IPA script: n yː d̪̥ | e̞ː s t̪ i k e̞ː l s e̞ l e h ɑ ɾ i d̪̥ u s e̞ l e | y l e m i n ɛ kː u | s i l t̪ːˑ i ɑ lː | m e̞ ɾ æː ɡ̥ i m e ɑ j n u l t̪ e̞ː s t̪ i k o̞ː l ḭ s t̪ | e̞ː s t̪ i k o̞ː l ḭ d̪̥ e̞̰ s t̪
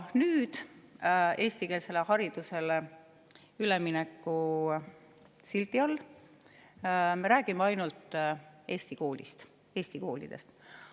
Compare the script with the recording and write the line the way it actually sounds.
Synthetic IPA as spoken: n yː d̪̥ | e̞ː s t̪ i k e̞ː l s e̞ l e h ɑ ɾ i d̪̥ u s e̞ l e | y l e m i n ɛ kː u | s i l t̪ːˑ i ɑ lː | m e̞ ɾ æː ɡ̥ i m e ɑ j n u l t̪ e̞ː s t̪ i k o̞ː l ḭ s t̪ | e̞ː s t̪ i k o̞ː l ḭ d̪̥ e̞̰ s t̪